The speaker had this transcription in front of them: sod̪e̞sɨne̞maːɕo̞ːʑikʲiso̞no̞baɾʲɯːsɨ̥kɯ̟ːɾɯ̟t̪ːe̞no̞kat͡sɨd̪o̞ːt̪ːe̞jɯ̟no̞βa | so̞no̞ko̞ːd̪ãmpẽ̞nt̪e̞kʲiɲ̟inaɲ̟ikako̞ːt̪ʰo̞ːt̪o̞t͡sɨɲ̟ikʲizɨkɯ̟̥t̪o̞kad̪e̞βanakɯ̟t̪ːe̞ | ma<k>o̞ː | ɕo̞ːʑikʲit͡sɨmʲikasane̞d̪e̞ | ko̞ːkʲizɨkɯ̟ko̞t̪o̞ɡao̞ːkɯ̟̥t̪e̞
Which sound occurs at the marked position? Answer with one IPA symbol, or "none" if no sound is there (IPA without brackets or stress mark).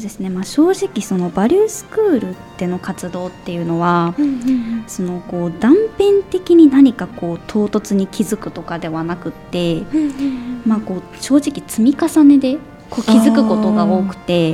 k